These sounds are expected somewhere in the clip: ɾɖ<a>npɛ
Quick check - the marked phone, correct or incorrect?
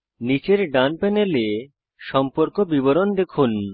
correct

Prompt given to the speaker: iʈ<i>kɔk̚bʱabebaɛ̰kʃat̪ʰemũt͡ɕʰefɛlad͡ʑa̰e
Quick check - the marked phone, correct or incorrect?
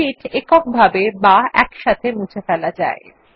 incorrect: e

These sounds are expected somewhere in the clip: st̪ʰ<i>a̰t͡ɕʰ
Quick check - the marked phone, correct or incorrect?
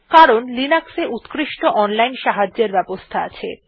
incorrect: a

